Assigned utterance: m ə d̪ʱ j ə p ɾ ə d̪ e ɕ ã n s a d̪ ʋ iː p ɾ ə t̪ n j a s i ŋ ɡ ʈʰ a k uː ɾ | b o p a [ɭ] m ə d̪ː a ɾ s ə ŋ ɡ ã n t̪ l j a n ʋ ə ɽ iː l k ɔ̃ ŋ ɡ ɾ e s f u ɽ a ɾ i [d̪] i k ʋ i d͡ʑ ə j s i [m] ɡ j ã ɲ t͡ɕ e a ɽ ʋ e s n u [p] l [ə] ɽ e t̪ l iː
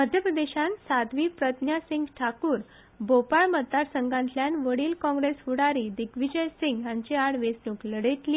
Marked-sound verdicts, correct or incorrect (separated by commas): correct, correct, incorrect, incorrect, correct